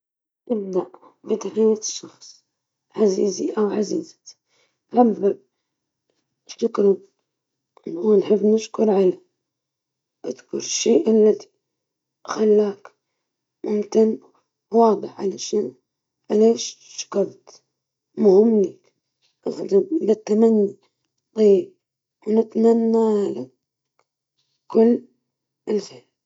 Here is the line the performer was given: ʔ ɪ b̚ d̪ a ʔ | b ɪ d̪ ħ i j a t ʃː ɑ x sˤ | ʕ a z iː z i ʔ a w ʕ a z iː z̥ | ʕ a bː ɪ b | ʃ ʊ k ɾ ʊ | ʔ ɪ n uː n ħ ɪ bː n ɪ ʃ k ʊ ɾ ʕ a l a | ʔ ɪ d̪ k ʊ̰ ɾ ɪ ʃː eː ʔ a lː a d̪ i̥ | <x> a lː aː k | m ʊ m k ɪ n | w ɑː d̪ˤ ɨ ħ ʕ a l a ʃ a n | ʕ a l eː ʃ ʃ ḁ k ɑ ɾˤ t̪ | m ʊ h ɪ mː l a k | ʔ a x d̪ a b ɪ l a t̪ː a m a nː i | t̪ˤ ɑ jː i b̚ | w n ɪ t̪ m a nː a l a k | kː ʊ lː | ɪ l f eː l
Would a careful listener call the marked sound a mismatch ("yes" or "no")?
no